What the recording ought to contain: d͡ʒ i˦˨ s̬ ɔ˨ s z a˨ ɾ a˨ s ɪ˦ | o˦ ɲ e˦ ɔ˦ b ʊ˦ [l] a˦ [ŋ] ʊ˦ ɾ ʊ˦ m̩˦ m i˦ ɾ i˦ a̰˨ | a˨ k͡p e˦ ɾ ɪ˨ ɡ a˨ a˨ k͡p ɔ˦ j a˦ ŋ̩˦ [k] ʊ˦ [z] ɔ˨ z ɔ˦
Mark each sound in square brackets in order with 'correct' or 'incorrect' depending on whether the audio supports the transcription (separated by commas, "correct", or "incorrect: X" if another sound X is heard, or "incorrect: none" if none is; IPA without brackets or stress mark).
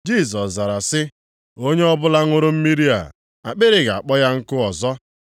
correct, correct, correct, incorrect: none